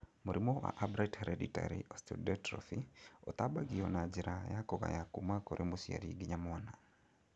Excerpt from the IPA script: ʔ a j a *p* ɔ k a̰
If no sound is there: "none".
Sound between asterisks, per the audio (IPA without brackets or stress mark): k